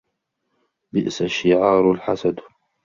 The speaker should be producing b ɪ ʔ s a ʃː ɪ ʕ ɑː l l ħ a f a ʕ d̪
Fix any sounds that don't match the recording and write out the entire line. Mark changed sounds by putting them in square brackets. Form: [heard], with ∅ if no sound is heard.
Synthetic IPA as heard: b ɪ ʔ s a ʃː ɪ ʕ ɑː [ɾ] l ħ a [s] a [∅] d̪